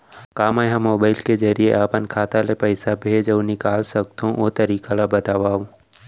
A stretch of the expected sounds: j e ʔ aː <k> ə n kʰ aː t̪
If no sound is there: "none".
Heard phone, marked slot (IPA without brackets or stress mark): p